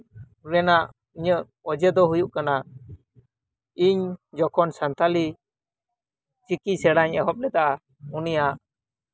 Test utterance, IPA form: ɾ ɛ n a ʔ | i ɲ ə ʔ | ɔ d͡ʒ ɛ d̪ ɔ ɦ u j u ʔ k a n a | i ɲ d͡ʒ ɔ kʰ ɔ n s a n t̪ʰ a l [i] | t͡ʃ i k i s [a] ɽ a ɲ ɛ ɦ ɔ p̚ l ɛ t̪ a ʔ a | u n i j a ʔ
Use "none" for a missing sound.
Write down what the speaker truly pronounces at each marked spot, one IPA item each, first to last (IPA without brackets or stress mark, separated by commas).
i, ɛ